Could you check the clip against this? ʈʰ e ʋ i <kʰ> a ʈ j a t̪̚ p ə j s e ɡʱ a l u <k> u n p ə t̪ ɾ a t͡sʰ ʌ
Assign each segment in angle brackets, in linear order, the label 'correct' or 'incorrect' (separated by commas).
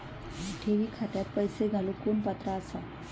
correct, correct